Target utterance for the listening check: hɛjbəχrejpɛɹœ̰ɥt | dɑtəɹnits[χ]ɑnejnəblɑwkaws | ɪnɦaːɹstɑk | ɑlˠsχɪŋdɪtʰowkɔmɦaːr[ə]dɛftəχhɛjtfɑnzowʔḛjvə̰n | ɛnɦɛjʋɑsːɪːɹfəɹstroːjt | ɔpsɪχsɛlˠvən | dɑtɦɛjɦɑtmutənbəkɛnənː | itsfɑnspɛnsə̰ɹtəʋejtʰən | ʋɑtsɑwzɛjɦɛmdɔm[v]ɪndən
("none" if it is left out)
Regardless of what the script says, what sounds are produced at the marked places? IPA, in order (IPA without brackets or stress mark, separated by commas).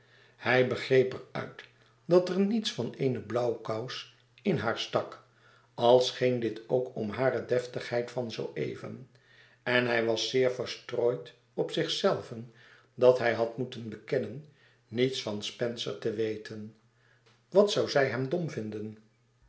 f, ə, v